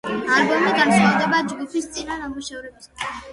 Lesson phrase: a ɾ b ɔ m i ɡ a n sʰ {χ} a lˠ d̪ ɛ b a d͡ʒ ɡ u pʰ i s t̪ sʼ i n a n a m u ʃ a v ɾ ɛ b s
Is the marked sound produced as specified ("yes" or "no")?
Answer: yes